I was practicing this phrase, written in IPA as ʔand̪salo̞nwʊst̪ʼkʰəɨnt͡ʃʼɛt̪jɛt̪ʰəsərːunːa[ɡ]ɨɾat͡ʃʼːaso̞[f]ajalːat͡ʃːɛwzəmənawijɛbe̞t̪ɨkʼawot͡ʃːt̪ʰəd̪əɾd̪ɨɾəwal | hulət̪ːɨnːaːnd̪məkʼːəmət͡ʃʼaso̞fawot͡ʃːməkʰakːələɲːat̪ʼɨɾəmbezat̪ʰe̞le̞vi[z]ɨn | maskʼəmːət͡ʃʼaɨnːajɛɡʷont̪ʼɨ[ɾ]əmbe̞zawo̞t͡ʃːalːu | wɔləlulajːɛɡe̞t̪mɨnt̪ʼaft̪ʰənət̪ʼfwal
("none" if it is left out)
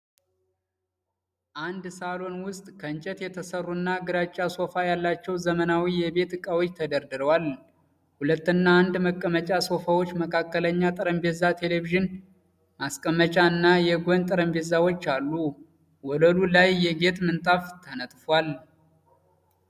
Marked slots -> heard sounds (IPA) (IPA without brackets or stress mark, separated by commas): ɡ, f, ʒ, ɾ